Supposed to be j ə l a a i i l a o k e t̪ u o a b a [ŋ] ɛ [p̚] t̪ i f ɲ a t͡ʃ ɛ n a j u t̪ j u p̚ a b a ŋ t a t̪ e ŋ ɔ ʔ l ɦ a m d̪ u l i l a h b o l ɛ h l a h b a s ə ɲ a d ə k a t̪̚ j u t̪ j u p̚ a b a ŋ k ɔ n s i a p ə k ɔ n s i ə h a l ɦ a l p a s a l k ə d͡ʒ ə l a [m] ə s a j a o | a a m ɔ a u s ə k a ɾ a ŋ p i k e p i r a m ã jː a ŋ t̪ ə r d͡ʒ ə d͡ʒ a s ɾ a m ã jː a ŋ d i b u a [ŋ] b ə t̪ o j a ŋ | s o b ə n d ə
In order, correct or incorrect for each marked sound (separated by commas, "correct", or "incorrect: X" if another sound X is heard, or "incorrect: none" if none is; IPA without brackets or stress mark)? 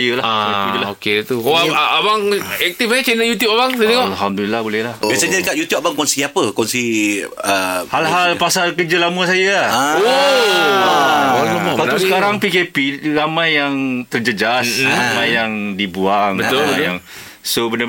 correct, incorrect: k̚, correct, correct